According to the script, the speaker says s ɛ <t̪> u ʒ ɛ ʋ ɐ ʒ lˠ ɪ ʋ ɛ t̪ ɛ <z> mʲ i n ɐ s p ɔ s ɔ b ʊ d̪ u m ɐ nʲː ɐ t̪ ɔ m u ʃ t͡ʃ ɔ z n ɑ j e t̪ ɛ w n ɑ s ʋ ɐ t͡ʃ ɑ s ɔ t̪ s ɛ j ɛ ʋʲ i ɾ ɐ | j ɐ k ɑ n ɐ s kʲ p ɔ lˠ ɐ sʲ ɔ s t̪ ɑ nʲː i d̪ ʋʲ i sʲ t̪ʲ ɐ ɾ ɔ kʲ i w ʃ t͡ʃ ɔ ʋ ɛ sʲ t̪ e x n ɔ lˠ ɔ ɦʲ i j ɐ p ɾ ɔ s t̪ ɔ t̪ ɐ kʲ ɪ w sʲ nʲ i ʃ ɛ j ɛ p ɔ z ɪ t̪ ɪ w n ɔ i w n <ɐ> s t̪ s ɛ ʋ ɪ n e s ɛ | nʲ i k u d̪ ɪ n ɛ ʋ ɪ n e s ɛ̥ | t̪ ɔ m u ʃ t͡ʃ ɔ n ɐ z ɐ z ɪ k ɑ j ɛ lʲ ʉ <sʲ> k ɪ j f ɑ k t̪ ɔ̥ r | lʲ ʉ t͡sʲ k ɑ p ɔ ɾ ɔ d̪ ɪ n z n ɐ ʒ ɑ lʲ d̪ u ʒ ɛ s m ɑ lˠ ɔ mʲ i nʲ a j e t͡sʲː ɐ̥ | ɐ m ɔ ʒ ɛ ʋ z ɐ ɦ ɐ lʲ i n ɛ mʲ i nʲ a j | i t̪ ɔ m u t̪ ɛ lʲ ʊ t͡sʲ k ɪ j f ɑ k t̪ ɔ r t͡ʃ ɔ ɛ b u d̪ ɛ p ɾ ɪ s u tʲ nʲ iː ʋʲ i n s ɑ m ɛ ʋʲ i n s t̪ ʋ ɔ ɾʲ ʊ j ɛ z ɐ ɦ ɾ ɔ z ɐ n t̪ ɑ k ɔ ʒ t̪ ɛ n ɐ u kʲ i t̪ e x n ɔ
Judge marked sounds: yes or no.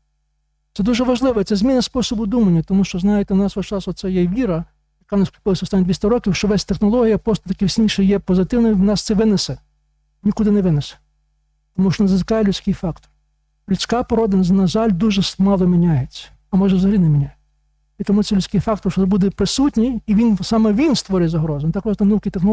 no, yes, no, no

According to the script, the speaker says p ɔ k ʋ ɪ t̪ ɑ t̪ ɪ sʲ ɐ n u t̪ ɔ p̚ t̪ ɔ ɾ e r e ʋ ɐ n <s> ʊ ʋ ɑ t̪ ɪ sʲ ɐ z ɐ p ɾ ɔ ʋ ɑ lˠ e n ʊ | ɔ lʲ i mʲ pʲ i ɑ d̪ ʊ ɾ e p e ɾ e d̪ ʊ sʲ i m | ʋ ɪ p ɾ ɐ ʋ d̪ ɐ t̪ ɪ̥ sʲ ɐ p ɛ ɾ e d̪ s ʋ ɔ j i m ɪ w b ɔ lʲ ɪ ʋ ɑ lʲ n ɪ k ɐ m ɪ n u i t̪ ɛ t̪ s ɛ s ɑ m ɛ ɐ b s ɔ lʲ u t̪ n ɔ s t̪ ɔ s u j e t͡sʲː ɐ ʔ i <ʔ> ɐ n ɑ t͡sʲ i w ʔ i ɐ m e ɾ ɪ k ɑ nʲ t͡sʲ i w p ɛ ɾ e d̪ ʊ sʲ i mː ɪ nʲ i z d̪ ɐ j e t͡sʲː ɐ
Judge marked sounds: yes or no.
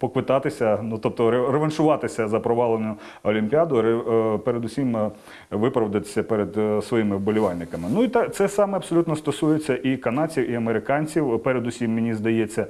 no, no

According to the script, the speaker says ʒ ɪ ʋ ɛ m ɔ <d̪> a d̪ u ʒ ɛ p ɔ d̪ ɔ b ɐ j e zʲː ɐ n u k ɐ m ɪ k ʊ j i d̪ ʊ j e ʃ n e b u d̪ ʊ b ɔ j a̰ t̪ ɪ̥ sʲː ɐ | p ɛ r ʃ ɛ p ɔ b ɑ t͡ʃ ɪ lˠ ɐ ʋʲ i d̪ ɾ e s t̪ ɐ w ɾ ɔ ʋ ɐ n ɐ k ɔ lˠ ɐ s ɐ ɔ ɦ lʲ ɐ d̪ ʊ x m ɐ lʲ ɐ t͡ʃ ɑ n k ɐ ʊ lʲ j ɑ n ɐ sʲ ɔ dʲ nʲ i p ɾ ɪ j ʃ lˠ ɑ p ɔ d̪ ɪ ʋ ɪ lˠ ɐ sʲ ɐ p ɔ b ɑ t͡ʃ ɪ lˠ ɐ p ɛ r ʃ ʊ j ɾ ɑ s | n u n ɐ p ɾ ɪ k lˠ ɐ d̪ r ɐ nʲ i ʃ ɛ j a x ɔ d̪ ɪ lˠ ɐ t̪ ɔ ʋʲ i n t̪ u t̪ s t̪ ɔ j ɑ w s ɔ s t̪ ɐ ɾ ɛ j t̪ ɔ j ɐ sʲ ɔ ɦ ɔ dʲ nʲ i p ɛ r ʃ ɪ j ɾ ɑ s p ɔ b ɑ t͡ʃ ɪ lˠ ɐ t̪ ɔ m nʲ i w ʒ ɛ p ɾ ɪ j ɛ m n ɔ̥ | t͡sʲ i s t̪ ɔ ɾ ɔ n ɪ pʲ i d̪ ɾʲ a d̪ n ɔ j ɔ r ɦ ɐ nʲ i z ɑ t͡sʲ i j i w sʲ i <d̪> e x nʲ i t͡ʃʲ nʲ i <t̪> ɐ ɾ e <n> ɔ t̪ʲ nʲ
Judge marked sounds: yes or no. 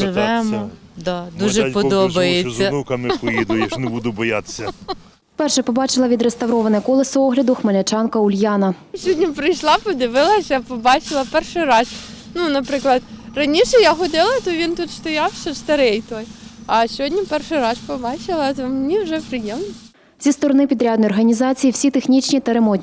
yes, no, yes, no

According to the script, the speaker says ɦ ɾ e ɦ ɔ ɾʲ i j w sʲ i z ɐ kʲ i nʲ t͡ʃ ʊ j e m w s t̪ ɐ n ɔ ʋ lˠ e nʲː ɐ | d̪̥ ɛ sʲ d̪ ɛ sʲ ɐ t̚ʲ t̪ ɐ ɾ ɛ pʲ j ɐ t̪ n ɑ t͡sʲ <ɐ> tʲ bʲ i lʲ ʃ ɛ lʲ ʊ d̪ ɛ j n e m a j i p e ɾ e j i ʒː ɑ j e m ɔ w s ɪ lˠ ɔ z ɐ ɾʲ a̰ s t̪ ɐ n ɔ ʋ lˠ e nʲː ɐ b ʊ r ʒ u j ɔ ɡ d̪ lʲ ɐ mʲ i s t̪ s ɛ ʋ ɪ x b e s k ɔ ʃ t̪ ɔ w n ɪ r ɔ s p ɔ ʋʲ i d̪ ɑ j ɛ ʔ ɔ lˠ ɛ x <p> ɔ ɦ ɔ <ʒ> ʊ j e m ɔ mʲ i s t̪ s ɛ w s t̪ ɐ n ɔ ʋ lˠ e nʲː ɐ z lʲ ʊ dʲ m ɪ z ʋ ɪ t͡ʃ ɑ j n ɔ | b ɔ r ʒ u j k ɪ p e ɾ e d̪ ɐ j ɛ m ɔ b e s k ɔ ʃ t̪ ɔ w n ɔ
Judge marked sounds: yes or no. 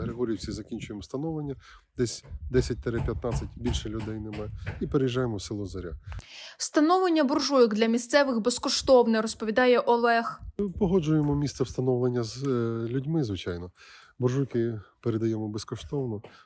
yes, yes, no

